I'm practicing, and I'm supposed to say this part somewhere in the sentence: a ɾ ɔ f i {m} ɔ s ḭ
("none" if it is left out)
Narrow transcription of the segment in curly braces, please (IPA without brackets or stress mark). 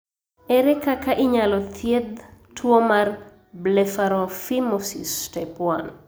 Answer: m